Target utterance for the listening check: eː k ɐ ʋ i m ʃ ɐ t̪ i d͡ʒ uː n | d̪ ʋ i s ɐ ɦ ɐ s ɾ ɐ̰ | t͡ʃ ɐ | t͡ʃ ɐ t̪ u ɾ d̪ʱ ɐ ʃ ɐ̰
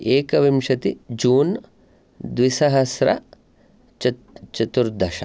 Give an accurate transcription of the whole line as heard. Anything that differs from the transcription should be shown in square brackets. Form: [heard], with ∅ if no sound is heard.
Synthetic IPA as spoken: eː k ɐ ʋ i m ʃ ɐ t̪ i d͡ʒ uː n | d̪ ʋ i s ɐ ɦ ɐ s ɾ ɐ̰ | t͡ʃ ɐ | t͡ʃ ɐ t̪ u ɾ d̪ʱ ɐ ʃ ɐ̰

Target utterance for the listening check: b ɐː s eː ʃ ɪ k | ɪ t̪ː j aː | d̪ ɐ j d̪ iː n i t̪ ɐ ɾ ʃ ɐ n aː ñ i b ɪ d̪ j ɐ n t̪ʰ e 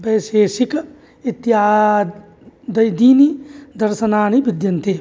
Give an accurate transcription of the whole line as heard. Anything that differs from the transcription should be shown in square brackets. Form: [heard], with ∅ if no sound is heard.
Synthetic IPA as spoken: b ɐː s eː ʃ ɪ k | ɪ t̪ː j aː | d̪ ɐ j d̪ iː n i [d̪] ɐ ɾ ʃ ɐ n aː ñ i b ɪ d̪ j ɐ n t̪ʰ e

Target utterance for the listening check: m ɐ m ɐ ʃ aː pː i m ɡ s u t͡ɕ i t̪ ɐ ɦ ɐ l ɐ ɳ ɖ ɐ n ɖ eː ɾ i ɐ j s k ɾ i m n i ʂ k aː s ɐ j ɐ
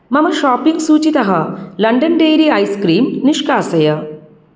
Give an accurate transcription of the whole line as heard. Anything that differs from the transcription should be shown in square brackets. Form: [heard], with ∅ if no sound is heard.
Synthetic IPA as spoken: m ɐ m ɐ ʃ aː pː i [ŋ] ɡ s [uː] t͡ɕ i t̪ ɐ ɦ ɐ l ɐ ɳ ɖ ɐ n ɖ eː ɾ i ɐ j s k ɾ [iː] m n i ʂ k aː s ɐ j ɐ

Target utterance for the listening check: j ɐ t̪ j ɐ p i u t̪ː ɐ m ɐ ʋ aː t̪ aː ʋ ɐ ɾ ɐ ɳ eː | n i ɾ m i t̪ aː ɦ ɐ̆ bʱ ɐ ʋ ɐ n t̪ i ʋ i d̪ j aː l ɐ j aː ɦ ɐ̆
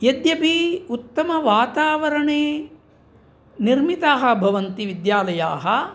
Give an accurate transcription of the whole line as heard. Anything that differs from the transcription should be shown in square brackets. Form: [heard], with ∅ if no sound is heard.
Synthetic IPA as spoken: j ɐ [d̪] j ɐ p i u t̪ː ɐ m ɐ ʋ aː t̪ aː ʋ ɐ ɾ ɐ ɳ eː | n i ɾ m i t̪ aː ɦ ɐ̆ bʱ ɐ ʋ ɐ n t̪ i ʋ i d̪ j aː l ɐ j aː ɦ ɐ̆

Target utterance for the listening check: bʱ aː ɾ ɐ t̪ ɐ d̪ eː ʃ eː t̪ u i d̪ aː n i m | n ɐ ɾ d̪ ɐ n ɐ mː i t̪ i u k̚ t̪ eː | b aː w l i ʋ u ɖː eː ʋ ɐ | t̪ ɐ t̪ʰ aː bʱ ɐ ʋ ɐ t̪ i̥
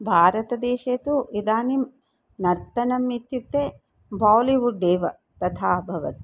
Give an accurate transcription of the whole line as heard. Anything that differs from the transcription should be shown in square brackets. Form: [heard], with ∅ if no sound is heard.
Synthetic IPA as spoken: bʱ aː ɾ ɐ t̪ ɐ d̪ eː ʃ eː t̪ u i d̪ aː n i m | n ɐ ɾ [t̪] ɐ n ɐ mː i t̪ [j] u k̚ t̪ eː | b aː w l i ʋ u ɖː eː ʋ ɐ | t̪ ɐ t̪ʰ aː bʱ ɐ ʋ ɐ t̪ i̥

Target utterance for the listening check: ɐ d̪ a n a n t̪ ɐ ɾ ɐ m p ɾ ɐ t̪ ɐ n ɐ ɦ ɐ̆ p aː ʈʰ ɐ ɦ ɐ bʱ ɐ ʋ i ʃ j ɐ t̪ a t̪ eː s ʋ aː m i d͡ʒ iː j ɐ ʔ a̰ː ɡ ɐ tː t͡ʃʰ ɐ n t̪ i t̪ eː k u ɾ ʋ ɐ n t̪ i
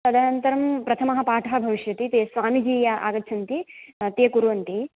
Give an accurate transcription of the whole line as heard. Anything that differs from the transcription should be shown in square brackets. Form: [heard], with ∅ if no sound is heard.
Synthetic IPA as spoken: ɐ d̪ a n [ɐ] n t̪ ɐ ɾ ɐ m p ɾ ɐ [t̪ʰ] ɐ [m] ɐ ɦ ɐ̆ p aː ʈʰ ɐ ɦ ɐ bʱ ɐ ʋ i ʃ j ɐ t̪ [i] t̪ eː s ʋ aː m i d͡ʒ iː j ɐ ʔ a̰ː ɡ ɐ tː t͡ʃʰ ɐ n t̪ i t̪ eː k u ɾ ʋ ɐ n t̪ i

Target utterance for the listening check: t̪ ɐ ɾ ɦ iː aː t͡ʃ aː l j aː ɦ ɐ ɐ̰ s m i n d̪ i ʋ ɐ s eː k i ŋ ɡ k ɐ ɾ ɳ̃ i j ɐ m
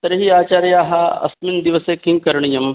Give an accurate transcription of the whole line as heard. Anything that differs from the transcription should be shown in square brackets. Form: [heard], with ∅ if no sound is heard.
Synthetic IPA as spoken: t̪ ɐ ɾ ɦ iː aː t͡ʃ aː [ɾ] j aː ɦ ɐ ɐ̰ s m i n d̪ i ʋ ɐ s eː k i ŋ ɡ k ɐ ɾ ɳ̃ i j ɐ m

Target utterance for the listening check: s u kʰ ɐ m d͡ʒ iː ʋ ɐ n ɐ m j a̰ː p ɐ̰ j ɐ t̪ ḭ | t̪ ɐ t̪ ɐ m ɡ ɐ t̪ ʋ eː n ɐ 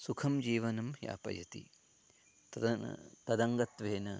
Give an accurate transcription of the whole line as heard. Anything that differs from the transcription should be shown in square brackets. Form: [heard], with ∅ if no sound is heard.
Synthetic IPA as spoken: s u kʰ ɐ m d͡ʒ iː ʋ ɐ n ɐ m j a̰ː p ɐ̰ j ɐ t̪ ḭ | t̪ ɐ [d̪] ɐ [ŋ] ɡ ɐ t̪ ʋ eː n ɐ

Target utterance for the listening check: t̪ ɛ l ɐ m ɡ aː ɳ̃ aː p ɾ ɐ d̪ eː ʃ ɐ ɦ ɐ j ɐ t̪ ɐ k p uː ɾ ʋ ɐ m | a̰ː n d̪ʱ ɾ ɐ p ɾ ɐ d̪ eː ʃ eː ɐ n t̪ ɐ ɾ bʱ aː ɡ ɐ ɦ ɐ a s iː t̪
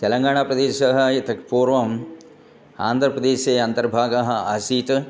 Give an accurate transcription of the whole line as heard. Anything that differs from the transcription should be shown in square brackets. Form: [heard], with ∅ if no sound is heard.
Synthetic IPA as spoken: t̪ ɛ l ɐ [ŋ] ɡ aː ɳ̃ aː p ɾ ɐ d̪ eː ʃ ɐ ɦ ɐ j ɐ t̪ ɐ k p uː ɾ ʋ ɐ m | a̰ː n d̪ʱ ɾ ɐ p ɾ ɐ d̪ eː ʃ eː ɐ n t̪ ɐ ɾ bʱ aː ɡ ɐ ɦ ɐ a s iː t̪

